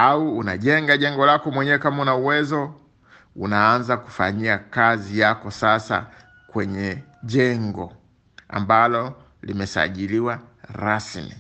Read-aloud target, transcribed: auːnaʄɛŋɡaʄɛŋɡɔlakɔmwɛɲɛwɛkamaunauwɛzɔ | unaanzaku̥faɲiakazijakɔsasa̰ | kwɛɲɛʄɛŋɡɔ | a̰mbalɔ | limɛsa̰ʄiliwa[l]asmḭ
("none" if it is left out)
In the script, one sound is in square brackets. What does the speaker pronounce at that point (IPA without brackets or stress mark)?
ɾ